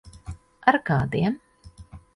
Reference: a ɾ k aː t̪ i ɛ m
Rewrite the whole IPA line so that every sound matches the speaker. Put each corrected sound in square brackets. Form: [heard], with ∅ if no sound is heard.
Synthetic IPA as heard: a ɾ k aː [d̪] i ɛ m